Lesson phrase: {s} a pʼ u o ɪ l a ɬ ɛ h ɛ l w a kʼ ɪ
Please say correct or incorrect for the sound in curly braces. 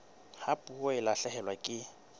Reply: incorrect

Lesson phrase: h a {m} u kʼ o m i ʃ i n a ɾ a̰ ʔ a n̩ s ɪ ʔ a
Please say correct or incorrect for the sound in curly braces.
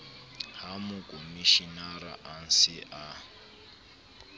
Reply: correct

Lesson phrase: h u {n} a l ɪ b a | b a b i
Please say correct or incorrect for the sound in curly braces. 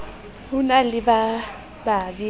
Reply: correct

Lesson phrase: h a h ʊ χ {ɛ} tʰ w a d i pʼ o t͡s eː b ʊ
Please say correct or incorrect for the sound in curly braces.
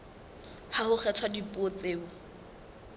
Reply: correct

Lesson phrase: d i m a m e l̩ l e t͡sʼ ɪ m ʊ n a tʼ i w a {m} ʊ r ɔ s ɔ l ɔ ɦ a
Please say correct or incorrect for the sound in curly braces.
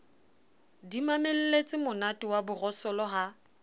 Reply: incorrect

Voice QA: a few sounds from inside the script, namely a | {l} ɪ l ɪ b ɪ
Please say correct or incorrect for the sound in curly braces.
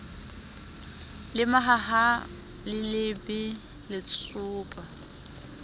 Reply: correct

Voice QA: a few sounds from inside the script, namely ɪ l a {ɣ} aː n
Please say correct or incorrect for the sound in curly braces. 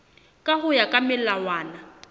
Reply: incorrect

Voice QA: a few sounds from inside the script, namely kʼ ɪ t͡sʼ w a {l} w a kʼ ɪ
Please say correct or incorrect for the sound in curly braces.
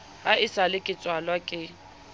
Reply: correct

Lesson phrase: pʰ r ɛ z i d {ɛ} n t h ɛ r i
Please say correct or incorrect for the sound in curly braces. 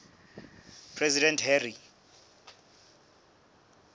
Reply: correct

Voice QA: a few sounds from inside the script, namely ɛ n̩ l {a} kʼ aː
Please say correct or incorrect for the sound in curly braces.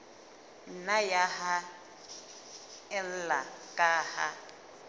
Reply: correct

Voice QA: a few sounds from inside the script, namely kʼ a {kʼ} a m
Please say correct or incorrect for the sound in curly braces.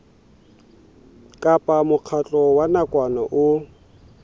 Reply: incorrect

